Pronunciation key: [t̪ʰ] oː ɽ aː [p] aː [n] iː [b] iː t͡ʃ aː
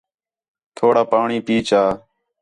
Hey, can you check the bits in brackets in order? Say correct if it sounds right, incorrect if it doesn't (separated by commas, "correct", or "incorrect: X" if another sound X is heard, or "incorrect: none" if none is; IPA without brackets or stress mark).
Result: correct, correct, incorrect: ɳ, incorrect: p